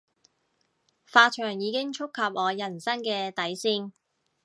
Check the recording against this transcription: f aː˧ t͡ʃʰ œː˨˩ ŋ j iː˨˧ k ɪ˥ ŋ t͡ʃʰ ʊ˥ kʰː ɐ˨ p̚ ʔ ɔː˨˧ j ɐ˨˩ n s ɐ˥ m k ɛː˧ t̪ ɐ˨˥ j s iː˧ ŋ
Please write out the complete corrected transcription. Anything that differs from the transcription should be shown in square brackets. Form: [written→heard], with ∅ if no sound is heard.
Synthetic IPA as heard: f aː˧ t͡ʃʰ œː˨˩ ŋ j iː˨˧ k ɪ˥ ŋ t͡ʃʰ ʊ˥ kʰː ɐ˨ p̚ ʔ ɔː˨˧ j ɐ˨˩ n s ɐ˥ [m→ŋ] k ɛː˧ t̪ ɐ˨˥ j s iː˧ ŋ